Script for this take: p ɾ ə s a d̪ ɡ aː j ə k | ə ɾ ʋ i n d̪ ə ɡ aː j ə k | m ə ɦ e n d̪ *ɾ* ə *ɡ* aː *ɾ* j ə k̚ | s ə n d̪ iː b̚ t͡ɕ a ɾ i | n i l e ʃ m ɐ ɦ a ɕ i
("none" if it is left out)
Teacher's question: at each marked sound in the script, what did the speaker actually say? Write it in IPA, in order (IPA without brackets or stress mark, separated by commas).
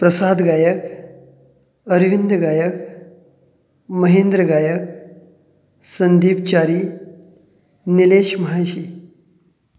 ɾ, ɡ, none